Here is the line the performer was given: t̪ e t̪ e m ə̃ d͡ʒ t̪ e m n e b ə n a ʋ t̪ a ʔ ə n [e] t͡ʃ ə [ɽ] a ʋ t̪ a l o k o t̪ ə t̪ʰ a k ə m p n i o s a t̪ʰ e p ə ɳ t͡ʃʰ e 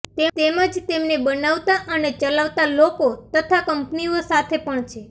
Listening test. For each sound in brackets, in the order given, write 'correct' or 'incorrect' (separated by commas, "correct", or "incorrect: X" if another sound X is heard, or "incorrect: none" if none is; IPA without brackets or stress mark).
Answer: correct, incorrect: l